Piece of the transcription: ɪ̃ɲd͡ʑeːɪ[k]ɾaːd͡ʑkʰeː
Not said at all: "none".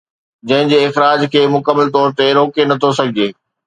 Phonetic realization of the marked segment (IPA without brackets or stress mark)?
x